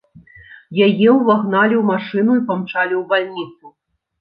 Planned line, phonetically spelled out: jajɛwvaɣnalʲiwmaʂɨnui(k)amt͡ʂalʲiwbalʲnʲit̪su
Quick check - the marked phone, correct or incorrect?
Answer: incorrect